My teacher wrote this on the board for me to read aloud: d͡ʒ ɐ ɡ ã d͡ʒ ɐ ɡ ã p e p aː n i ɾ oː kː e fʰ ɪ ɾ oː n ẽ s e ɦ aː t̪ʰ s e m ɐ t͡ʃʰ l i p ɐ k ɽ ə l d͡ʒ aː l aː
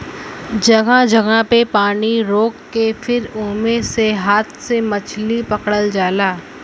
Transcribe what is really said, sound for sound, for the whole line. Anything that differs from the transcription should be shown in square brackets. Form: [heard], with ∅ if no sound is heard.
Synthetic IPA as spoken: d͡ʒ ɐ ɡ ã d͡ʒ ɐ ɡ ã p e p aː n i ɾ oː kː e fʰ ɪ ɾ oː [m] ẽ s e ɦ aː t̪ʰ s e m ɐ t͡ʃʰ l i p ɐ k ɽ ə l d͡ʒ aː l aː

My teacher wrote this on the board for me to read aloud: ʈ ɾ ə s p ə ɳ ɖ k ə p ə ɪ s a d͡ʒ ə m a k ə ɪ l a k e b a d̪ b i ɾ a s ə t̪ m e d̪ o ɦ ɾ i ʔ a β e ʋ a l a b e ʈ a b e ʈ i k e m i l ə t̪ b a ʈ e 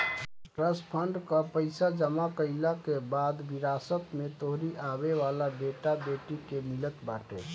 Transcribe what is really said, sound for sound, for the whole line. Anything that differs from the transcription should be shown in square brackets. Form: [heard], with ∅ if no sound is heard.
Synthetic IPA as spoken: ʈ ɾ ə s [pʰ] ə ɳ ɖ k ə p ə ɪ s a d͡ʒ ə m a k ə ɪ l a k e b a d̪ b i ɾ a s ə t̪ m e [t̪] o ɦ ɾ i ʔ a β e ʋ a l a b e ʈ a b e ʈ i k e m i l ə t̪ b a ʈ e

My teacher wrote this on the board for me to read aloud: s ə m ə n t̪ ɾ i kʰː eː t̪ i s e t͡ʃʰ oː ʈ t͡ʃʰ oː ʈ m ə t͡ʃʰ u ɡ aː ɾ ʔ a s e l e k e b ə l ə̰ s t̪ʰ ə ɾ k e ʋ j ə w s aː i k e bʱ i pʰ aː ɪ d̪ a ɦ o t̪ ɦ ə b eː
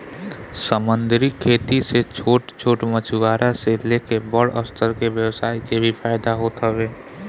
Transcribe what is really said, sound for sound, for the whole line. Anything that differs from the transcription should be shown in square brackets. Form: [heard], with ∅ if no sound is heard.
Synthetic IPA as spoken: s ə m ə n [d̪] ɾ i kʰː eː t̪ i s e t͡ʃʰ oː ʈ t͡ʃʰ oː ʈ m ə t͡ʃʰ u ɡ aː ɾ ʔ a s e l e k e b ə [ɽ] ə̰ s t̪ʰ ə ɾ k e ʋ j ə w s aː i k e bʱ i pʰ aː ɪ d̪ a ɦ o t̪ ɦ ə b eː

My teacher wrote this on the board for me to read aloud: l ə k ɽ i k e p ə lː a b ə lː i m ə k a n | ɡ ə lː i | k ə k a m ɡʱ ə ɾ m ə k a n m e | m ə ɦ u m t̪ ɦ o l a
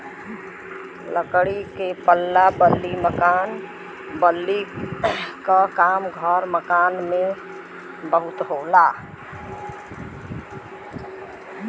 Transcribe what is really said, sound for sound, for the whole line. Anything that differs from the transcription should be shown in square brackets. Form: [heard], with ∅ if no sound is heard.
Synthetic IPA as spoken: l ə k ɽ i k e p ə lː a b ə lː i m ə k a n | [b] ə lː i | k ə k a m ɡʱ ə ɾ m ə k a n m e | [b] ə ɦ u [∅] t̪ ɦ o l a

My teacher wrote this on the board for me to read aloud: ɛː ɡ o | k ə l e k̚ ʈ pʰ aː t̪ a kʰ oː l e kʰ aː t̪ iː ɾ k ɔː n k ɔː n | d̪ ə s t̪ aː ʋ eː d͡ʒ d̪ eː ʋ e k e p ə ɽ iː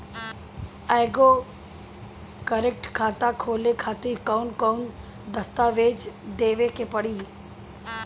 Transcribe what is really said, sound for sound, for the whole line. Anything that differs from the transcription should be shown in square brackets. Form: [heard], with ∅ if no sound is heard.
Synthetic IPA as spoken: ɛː ɡ o | k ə [ɾ] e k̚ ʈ [kʰ] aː t̪ a kʰ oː l e kʰ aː t̪ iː ɾ k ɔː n k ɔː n | d̪ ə s t̪ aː ʋ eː d͡ʒ d̪ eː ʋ e k e p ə ɽ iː

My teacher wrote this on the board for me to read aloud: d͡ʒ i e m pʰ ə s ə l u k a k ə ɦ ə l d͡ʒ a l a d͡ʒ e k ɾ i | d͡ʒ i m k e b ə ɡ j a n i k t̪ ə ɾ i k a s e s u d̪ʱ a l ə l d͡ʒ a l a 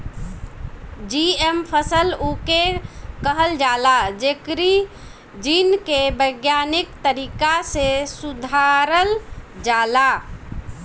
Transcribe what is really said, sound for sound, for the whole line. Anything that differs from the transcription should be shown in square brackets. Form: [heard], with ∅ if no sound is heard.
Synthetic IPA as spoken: d͡ʒ i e m pʰ ə s ə l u k [e] k ə ɦ ə l d͡ʒ a l a d͡ʒ e k ɾ i | d͡ʒ i [n] k e b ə ɡ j a n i k t̪ ə ɾ i k a s e s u d̪ʱ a [ɾ] ə l d͡ʒ a l a

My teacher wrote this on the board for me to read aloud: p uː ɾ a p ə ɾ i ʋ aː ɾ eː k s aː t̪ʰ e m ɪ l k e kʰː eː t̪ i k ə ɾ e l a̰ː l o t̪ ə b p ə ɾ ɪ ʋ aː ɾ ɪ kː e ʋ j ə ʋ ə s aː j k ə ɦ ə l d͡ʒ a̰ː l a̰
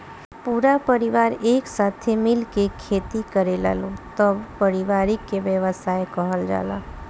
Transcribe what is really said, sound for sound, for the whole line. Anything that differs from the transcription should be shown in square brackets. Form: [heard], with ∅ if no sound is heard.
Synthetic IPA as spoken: p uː ɾ a p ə ɾ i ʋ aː ɾ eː k s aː t̪ʰ e m ɪ l k e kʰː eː t̪ i k ə ɾ e l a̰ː l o t̪ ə b p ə ɾ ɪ ʋ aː ɾ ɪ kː e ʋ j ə ʋ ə s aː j k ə ɦ ə l d͡ʒ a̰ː l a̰

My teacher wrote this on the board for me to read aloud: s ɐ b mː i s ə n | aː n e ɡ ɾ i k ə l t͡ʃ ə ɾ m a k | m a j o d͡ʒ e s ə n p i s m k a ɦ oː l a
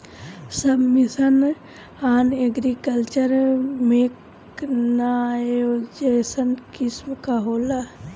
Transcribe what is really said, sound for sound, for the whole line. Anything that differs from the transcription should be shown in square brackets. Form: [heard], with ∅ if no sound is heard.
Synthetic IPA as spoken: s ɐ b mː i s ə n | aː n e ɡ ɾ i k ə l t͡ʃ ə ɾ m [e] k | [n] a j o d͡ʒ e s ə n [k] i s m k a ɦ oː l a

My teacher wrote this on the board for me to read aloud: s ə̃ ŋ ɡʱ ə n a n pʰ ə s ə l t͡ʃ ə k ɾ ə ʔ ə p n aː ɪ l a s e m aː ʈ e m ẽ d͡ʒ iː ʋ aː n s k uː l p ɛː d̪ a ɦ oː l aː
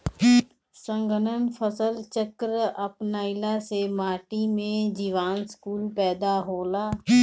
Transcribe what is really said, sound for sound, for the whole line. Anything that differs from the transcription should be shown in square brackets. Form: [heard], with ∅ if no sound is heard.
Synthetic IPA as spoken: s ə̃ ŋ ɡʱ ə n [ə] n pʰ ə s ə l t͡ʃ ə k ɾ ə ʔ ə p n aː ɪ l a s e m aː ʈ [i] m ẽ d͡ʒ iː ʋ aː n s k uː l p ɛː d̪ a ɦ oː l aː

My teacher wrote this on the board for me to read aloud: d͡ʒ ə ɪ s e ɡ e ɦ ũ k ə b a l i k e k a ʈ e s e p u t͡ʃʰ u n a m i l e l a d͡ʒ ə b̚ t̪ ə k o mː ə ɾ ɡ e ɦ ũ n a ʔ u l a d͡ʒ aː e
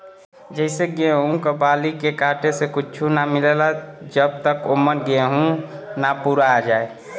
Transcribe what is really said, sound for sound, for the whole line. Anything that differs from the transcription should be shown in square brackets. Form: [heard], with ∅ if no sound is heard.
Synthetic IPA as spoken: d͡ʒ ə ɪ s e ɡ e ɦ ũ k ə b a l i k e k a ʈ e s e [k] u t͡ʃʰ u n a m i l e l a d͡ʒ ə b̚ t̪ ə k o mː ə ɾ ɡ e ɦ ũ n a [p] u [ɾ] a d͡ʒ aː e

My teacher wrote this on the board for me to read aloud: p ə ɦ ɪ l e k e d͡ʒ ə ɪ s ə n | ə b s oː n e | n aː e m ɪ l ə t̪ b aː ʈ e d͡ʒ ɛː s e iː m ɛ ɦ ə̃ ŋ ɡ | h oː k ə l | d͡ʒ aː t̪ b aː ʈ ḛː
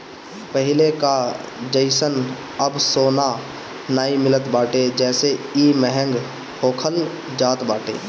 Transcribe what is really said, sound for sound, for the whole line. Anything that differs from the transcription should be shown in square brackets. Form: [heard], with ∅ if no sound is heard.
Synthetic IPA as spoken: p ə ɦ ɪ l e k [a] d͡ʒ ə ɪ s ə n | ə b s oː n [a] | n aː [i] m ɪ l ə t̪ b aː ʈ e d͡ʒ ɛː s e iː m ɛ ɦ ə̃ ŋ ɡ | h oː [kʰ] ə l | d͡ʒ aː t̪ b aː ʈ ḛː

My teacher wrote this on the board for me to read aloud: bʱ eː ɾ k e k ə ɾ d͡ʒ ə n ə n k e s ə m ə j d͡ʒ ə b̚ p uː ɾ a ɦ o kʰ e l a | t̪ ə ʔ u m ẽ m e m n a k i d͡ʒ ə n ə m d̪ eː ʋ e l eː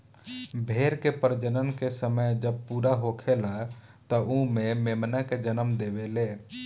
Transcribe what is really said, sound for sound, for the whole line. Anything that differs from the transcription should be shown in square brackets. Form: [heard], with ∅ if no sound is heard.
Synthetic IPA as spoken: bʱ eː ɾ k e [p] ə ɾ d͡ʒ ə n ə n k e s ə m ə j d͡ʒ ə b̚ p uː ɾ a ɦ o kʰ e l a | t̪ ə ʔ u m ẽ m e m n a k [e] d͡ʒ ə n ə m d̪ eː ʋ e l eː

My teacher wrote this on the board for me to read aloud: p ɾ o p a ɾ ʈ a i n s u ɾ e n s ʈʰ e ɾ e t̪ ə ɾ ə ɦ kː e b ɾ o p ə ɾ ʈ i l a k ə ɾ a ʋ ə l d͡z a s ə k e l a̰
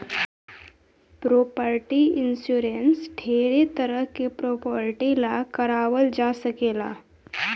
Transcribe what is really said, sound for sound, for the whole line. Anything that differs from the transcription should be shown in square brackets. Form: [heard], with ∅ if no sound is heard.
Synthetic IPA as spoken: p ɾ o p [ə] ɾ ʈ [i] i n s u ɾ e n s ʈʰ e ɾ e t̪ ə ɾ ə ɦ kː e [p] ɾ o p ə ɾ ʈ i l a k ə ɾ a ʋ ə l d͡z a s ə k e l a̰

